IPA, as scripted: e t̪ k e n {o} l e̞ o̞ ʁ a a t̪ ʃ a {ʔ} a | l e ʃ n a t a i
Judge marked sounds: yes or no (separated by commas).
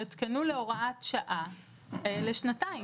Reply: no, yes